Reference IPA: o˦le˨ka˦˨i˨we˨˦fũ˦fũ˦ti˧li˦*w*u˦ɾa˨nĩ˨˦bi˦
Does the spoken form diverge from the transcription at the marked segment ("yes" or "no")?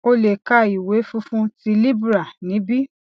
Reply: yes